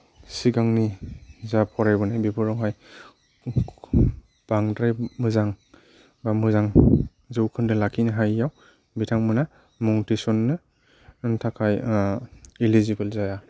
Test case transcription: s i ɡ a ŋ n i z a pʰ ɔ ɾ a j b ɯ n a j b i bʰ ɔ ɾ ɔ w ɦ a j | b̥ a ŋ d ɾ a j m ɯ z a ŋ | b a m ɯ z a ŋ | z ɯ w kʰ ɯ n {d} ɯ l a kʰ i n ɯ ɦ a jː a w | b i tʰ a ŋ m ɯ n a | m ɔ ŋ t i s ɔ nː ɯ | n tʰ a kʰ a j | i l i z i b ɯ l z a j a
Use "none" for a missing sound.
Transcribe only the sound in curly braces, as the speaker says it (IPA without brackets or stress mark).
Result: d